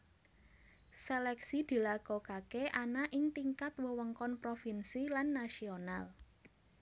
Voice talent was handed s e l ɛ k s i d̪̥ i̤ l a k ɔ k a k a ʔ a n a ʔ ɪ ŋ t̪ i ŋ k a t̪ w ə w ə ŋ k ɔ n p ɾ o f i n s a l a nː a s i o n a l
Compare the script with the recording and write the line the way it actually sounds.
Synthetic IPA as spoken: s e l ɛ k s i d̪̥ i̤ l a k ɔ k a k e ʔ a n a ʔ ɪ ŋ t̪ i ŋ k a t̪ w ə w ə ŋ k ɔ n p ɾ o f i n s i l a nː a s i o n a l